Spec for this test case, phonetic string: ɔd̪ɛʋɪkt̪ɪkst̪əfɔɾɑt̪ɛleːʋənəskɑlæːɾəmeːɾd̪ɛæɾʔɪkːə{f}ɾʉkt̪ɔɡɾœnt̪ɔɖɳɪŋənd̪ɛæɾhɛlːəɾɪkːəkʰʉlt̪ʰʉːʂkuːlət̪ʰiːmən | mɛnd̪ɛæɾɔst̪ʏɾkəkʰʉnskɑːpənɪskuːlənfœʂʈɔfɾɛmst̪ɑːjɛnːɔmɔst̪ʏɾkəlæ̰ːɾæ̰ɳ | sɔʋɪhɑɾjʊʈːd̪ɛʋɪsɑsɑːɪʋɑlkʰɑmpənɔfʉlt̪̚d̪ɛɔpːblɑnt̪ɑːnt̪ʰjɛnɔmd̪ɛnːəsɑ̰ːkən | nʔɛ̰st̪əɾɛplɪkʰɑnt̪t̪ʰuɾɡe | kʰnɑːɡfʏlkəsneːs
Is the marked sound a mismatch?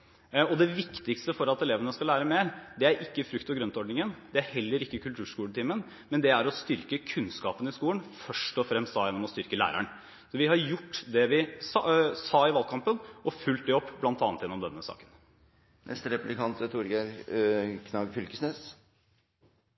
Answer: no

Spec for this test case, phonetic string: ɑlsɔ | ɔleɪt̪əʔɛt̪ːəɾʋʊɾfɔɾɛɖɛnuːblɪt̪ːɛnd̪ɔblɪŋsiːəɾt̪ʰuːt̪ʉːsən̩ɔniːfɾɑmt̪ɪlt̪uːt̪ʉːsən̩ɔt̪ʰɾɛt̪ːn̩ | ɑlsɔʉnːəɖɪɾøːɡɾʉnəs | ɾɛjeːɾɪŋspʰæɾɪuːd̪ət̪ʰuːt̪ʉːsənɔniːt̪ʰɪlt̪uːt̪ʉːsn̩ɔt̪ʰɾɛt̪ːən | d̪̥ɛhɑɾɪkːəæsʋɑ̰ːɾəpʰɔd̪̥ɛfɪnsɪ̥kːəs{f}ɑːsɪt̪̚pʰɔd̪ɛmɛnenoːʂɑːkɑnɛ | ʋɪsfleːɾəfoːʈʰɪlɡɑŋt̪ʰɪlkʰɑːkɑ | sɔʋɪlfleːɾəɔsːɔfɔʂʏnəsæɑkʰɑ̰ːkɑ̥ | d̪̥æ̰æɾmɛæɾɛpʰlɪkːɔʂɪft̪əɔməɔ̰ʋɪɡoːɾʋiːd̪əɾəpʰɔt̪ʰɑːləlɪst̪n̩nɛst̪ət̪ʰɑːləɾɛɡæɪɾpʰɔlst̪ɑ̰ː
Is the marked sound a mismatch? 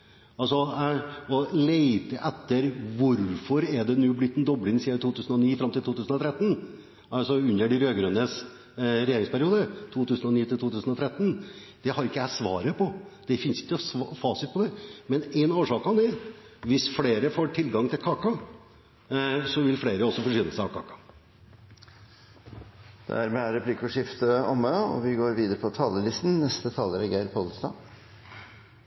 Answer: no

